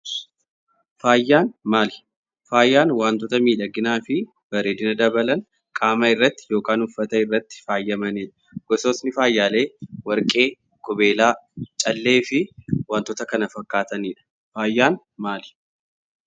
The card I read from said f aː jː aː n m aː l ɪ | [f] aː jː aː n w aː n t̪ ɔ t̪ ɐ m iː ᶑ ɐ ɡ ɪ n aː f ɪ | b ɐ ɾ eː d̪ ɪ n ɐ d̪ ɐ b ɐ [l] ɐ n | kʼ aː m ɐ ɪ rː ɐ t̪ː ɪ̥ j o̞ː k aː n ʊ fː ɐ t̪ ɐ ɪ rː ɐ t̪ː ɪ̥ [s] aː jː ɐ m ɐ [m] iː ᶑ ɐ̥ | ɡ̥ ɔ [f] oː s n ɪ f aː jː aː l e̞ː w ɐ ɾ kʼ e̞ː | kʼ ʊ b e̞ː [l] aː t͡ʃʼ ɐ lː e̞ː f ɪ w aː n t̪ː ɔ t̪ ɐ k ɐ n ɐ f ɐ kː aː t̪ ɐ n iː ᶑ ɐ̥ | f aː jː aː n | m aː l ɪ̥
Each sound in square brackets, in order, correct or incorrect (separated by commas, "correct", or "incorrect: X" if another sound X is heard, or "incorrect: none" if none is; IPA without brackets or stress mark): correct, correct, incorrect: f, incorrect: n, incorrect: s, correct